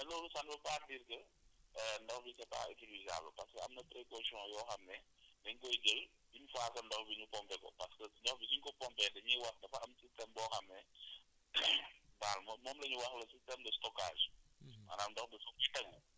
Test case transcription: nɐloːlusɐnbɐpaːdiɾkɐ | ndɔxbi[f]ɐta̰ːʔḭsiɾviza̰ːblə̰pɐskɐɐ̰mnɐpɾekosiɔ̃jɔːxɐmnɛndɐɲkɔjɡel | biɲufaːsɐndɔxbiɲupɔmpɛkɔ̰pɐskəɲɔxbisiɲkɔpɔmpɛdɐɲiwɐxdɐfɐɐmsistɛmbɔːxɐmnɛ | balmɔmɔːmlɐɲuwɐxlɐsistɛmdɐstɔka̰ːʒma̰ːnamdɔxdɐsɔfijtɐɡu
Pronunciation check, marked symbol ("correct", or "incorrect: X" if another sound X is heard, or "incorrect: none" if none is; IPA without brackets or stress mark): incorrect: s